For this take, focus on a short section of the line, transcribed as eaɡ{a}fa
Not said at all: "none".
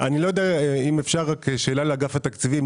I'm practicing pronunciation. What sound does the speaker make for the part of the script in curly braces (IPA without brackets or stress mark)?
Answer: a